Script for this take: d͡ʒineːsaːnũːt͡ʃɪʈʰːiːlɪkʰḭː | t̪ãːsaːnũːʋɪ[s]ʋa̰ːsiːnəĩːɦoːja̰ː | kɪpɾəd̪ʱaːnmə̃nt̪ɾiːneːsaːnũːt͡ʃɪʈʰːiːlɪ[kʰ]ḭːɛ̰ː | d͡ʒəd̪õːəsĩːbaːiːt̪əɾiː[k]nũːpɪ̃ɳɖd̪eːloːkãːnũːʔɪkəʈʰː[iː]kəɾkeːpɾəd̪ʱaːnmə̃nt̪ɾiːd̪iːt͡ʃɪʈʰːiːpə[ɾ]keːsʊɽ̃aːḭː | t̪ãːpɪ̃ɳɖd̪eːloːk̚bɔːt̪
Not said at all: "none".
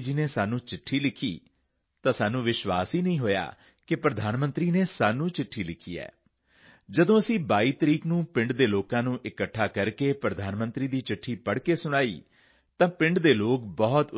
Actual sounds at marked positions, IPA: ʃ, kʰ, k, aː, ɽ

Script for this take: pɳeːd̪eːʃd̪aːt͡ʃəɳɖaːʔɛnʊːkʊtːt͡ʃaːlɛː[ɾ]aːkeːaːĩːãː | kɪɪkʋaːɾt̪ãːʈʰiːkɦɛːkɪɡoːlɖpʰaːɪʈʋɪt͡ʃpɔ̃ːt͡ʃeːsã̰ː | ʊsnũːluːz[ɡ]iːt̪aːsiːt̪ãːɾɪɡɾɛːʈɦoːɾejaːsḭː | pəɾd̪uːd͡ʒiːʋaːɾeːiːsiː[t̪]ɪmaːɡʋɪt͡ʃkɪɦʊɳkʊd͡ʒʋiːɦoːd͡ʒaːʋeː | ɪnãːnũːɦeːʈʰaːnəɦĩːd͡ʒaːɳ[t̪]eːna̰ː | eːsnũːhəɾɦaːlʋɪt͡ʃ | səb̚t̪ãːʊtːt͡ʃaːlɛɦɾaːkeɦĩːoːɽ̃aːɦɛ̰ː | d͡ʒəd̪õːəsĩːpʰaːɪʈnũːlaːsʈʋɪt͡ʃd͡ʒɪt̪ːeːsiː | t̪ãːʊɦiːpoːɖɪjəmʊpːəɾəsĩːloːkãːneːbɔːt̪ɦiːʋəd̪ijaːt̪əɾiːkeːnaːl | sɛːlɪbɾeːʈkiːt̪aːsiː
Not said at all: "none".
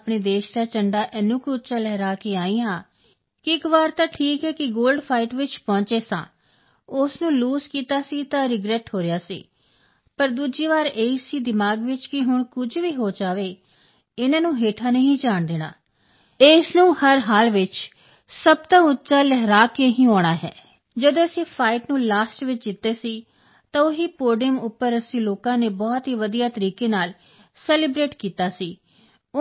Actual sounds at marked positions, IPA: ɾ, k, d̪, d̪

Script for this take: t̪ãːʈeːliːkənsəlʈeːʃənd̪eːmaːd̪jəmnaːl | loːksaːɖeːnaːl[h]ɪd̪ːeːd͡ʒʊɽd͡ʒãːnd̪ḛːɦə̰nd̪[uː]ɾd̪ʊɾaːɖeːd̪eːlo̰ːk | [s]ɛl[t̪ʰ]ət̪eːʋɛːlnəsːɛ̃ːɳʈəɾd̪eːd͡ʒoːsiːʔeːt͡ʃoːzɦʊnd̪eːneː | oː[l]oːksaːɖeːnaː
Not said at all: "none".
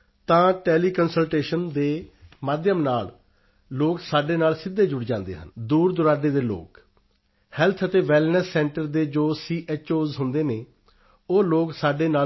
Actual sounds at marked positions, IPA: s, uː, h, t̪ʰ, l

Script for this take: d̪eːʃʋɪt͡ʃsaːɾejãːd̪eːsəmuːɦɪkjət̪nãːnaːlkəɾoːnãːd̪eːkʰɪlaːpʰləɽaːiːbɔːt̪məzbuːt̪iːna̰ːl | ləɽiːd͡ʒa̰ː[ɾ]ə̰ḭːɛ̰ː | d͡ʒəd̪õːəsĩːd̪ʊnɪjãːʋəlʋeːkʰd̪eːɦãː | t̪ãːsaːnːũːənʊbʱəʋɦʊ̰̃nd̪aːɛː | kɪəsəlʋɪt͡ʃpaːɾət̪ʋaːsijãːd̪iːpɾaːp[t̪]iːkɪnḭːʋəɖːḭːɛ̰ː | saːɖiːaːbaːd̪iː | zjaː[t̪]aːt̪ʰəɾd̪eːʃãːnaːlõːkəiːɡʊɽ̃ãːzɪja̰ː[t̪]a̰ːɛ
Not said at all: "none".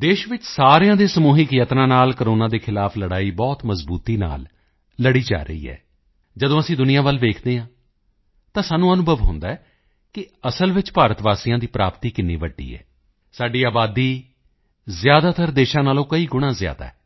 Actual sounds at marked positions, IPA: ɾ, t̪, d̪, d̪

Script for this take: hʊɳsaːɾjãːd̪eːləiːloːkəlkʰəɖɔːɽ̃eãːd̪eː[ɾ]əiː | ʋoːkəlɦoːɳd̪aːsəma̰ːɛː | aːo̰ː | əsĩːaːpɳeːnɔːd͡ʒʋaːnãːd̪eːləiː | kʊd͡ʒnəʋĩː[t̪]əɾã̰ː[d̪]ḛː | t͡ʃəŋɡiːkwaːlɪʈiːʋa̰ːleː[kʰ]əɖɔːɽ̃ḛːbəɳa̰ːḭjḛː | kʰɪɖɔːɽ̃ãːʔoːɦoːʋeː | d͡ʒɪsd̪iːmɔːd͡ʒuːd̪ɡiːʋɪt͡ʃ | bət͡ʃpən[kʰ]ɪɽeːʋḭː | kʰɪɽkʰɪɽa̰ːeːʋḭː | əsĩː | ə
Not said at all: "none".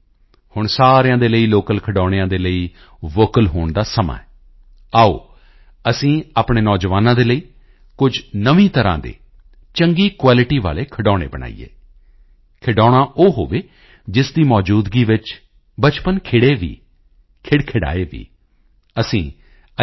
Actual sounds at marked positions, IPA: l, t̪, d̪, kʰ, kʰ

